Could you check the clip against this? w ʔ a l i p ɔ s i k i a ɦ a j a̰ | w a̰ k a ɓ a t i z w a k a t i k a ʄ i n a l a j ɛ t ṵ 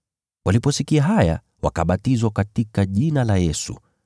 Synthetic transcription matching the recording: w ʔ a l i p ɔ s i k i a ɦ a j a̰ | w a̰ k a ɓ a t i z w a k a t i k a ʄ i n a l a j ɛ s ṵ